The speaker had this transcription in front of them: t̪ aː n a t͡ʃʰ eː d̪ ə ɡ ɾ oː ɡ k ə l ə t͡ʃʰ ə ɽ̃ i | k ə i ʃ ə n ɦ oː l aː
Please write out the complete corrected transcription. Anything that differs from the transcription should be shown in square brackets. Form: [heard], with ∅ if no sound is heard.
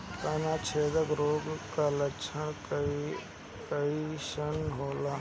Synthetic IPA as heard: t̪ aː n a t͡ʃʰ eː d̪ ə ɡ ɾ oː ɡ k [a] l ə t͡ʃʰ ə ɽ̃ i | k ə i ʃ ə n ɦ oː l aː